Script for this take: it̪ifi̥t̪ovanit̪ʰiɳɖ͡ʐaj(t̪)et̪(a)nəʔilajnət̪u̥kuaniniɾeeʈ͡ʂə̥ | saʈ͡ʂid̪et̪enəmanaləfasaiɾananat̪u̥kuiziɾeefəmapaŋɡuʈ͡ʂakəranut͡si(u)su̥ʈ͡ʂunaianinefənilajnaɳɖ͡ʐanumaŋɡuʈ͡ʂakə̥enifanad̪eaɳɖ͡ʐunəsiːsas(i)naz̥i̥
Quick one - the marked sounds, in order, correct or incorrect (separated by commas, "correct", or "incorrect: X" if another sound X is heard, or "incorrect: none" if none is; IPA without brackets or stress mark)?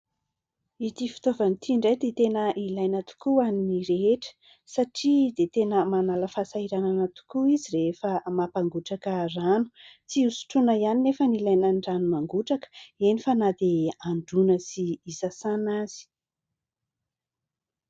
incorrect: d̪, incorrect: e, correct, incorrect: a